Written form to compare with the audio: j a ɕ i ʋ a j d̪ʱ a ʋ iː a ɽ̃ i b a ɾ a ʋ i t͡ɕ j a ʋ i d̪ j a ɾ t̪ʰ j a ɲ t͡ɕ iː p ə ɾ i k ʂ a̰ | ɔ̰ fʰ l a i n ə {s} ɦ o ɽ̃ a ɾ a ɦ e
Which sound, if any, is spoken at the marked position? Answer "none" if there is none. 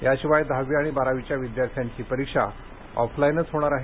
t͡s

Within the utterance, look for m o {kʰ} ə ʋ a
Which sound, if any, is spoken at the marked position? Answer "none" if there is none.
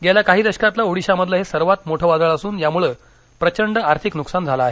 ʈʰ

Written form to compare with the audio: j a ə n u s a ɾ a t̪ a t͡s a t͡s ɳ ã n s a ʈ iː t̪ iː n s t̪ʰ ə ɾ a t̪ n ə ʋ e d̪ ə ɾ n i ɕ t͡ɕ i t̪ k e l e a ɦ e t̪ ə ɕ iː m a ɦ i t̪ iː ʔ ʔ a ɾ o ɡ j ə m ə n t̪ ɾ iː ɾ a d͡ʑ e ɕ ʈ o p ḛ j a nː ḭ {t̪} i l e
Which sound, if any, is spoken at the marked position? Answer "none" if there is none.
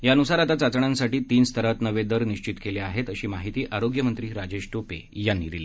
d̪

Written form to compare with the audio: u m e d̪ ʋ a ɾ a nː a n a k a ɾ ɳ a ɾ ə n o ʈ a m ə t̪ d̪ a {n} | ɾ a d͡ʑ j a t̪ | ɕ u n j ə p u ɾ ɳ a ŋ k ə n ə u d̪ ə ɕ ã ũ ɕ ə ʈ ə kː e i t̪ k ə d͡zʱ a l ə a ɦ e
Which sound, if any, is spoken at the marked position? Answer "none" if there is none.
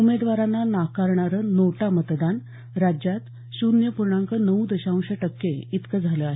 n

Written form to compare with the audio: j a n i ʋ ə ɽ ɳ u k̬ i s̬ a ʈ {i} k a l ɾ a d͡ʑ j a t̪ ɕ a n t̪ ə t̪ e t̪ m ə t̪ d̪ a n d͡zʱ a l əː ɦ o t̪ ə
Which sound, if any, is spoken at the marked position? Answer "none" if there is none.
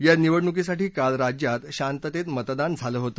iː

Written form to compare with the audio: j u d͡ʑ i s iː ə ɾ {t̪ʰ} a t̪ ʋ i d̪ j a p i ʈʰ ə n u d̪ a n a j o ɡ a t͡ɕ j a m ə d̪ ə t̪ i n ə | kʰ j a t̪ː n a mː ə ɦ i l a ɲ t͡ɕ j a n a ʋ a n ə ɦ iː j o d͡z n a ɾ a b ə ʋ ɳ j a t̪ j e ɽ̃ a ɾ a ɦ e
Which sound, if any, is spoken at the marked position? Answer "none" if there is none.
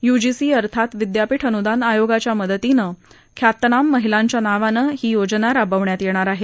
t̪ʰ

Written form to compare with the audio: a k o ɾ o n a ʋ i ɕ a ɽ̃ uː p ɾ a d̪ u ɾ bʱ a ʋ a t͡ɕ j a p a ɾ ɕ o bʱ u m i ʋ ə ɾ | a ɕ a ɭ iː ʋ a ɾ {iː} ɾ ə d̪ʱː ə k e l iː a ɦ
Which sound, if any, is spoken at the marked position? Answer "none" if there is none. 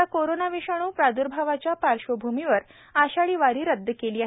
iː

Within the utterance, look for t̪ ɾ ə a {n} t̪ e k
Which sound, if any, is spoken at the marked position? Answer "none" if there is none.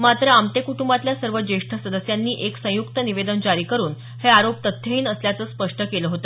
m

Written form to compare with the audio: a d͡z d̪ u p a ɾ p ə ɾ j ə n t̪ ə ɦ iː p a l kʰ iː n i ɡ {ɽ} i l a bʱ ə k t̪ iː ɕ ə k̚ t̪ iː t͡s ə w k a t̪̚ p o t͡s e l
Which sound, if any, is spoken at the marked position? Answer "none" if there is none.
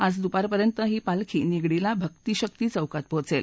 ɽ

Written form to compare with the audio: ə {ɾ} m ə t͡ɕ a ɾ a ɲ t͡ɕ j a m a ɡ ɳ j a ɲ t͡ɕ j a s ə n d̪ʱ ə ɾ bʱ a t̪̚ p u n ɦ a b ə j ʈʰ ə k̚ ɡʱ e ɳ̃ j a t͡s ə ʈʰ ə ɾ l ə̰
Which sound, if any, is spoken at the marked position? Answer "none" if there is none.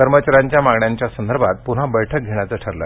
ɾ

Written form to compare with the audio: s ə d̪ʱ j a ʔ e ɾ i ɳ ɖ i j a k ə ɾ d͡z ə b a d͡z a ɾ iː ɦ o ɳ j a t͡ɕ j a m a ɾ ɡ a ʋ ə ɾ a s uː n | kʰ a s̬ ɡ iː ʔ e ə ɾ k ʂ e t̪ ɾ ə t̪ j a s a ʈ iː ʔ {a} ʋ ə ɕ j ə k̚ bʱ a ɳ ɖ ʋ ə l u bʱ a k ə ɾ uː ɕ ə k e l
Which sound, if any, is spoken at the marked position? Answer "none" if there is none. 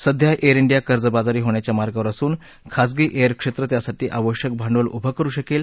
a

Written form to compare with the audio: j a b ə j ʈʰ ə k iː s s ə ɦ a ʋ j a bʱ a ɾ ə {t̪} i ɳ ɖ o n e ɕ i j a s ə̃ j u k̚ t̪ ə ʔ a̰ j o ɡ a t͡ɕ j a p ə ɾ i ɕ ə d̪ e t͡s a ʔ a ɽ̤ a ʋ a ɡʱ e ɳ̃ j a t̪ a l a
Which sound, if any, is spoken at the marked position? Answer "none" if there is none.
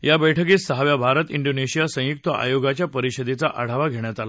t̪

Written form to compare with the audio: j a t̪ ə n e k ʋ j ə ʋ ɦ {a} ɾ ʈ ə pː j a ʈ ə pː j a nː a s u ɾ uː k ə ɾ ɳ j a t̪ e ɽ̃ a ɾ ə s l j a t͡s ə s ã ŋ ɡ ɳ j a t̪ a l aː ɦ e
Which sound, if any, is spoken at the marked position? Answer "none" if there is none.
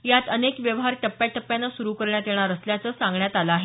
a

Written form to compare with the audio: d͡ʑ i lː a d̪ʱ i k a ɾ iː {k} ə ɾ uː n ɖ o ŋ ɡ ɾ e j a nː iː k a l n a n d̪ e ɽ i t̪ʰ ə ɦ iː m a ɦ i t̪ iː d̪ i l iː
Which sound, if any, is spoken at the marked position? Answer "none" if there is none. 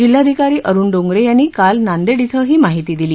ʔ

